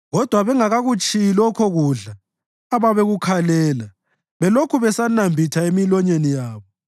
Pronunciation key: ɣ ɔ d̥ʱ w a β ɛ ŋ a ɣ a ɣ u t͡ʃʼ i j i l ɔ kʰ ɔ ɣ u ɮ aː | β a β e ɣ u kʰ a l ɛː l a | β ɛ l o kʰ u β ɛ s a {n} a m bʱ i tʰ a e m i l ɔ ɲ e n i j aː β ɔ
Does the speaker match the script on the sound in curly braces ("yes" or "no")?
yes